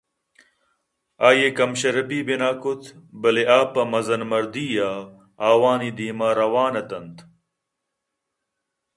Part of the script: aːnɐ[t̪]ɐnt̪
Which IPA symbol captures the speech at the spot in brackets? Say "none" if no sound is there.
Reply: t̪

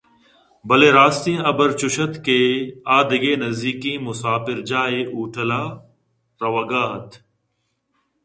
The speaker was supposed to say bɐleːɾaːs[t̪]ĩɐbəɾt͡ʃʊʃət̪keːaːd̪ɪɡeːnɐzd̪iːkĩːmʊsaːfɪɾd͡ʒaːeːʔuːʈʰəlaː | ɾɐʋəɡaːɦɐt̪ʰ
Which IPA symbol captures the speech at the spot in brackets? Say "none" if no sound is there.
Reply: t̪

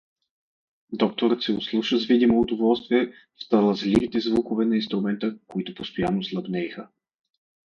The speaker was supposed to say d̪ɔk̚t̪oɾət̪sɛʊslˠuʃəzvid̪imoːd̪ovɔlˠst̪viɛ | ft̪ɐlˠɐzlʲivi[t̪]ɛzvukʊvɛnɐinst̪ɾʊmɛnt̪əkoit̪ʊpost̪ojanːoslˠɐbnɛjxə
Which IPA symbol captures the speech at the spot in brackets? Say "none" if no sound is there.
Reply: t̪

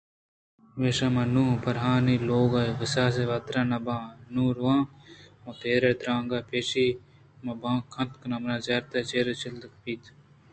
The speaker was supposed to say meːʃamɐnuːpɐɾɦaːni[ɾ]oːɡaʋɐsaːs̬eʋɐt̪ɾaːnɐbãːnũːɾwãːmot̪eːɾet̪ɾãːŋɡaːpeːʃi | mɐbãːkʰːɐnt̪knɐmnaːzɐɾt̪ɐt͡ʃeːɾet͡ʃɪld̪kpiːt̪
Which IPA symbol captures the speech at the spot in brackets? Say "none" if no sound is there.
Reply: l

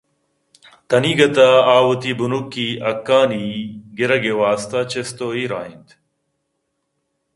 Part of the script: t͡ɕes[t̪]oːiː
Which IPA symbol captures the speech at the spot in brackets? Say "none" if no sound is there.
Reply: t̪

